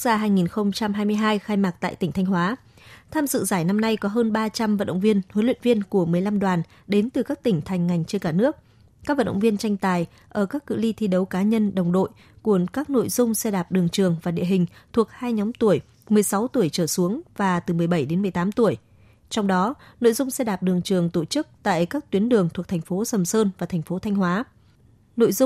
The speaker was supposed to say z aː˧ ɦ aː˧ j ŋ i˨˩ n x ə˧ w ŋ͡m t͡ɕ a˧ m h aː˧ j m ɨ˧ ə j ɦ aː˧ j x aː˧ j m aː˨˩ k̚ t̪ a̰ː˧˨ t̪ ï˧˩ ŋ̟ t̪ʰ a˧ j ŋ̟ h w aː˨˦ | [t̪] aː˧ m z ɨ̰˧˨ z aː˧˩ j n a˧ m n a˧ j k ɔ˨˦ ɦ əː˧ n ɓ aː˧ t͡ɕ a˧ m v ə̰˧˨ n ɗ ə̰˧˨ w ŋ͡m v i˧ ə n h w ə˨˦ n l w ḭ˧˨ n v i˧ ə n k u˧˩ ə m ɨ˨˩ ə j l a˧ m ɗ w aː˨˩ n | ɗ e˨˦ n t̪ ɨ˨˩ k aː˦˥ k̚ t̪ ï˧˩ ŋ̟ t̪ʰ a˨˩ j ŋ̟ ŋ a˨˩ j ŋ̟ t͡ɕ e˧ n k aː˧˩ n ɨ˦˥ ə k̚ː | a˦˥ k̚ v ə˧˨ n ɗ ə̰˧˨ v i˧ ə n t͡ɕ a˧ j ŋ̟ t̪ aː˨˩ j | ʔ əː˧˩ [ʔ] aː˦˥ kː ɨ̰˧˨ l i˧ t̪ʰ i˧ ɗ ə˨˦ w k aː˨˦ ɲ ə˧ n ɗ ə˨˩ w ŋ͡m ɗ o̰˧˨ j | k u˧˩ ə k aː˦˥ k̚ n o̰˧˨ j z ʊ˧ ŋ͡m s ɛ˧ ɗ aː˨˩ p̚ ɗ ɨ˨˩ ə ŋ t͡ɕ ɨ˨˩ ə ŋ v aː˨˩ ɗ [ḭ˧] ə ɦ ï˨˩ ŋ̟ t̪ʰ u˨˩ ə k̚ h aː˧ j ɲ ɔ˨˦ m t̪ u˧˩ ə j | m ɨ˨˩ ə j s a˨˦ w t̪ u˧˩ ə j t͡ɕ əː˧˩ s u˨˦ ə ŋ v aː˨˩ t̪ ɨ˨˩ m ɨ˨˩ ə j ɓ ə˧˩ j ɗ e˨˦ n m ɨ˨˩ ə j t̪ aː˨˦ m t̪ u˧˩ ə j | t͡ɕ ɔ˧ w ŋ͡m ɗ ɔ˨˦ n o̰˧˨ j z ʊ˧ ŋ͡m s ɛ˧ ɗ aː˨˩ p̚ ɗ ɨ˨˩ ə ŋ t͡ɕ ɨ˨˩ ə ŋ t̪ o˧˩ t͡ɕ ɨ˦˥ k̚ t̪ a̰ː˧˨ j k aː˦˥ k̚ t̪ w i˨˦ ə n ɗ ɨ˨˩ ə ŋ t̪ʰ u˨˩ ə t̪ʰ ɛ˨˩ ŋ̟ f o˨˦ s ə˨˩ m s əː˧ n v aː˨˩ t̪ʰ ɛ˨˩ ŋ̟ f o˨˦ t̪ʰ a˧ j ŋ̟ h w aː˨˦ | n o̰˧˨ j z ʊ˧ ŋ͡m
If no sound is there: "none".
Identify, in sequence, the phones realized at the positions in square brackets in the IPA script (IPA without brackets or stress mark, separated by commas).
t̪ʰ, k, ḭ˧